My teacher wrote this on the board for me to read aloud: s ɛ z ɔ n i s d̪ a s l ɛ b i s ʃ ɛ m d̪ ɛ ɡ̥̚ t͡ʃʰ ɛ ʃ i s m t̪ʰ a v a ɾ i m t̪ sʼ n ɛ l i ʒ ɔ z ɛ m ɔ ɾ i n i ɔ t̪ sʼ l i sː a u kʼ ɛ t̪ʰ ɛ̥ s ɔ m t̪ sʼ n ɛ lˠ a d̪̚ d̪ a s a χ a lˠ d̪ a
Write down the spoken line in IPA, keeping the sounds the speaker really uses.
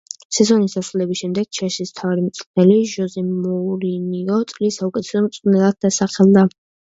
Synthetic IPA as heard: s ɛ z ɔ n i s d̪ a s l ɛ b i s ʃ ɛ m d̪ ɛ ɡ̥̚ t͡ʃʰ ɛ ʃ i s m t̪ʰ a v a ɾ i m t̪ sʼ n ɛ l i ʒ ɔ z ɛ m ɔ ɾ i n i ɔ t̪ sʼ l i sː a u kʼ ɛ t̪ʰ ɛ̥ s ɔ m t̪ sʼ n ɛ lˠ a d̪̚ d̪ a s a χ ɛ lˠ d̪ a